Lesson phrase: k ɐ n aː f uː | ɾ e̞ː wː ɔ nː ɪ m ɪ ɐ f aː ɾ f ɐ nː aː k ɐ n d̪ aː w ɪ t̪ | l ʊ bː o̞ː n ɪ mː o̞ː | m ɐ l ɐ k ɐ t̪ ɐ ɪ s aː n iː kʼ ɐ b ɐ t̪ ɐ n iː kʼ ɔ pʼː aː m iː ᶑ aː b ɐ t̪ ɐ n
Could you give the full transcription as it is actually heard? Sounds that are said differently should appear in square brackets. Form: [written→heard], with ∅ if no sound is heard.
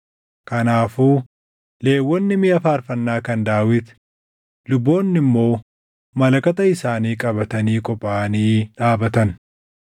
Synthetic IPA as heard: k ɐ n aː f uː | [ɾ→l] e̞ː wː ɔ nː ɪ m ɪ ɐ f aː ɾ f ɐ nː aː k ɐ n d̪ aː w ɪ t̪ | l ʊ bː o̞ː [n→nː] ɪ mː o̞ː | m ɐ l ɐ k ɐ t̪ ɐ ɪ s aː n iː kʼ ɐ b ɐ t̪ ɐ n iː kʼ ɔ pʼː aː [m→n] iː ᶑ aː b ɐ t̪ ɐ n